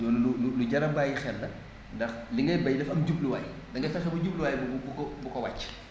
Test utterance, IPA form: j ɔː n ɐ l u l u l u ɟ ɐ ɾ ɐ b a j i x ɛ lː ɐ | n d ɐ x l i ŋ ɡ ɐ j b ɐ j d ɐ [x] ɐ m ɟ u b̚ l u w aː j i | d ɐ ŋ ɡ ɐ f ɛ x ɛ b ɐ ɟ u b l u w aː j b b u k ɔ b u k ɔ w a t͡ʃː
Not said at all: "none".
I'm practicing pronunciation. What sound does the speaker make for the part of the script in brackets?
f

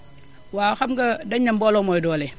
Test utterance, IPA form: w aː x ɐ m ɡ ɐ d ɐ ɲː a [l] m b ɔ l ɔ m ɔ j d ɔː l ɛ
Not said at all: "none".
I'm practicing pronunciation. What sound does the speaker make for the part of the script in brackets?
none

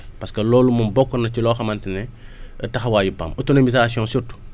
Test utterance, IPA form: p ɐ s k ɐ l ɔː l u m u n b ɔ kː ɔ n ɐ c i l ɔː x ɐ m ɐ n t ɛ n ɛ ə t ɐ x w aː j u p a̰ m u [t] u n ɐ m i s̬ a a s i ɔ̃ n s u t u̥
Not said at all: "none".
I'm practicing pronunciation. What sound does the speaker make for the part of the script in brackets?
t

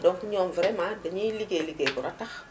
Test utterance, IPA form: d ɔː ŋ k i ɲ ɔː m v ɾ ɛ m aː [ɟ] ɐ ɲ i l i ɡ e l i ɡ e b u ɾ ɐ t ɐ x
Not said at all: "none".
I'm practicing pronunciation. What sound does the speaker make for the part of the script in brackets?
d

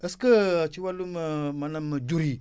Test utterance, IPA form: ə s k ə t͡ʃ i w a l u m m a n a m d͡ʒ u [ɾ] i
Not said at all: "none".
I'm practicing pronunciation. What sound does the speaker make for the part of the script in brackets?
ɾ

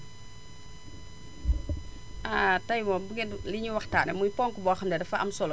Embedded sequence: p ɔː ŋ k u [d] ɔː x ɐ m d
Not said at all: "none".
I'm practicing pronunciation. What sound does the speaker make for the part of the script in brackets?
b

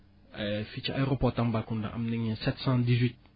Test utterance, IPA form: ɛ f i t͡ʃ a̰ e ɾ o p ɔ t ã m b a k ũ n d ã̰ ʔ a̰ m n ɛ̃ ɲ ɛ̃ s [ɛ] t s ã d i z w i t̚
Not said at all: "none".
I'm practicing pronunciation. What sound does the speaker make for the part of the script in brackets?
ɛ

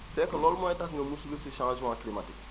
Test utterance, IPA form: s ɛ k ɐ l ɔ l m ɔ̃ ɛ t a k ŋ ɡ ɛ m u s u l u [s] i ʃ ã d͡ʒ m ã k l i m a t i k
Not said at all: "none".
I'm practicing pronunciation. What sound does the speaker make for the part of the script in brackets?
s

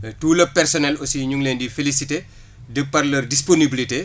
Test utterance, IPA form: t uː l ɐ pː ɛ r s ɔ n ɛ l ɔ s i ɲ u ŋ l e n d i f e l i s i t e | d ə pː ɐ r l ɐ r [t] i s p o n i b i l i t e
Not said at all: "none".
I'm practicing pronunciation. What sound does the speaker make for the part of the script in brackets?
d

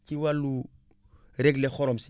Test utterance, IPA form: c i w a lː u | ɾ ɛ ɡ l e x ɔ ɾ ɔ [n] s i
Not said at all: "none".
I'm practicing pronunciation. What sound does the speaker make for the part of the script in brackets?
m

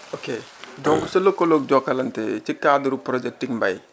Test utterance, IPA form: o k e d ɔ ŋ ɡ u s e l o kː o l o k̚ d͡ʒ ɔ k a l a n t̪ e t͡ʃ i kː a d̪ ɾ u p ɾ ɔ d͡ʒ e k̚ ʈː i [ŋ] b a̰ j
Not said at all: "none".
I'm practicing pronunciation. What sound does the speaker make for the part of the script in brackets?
ŋ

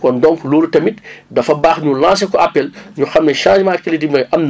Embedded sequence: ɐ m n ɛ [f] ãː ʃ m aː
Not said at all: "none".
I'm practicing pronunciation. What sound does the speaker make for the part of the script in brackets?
ʃ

